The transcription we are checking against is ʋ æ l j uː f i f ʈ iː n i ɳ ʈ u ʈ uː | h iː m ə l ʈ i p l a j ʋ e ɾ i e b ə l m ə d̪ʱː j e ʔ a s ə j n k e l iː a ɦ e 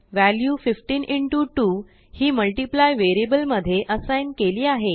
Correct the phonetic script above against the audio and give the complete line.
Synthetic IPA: ʋ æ l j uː f i f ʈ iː n i ɳ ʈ u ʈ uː | h iː m ə l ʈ i p l a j ʋ e ɾ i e b ə l m ə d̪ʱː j e ʔ ə s a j n k e l iː a ɦ e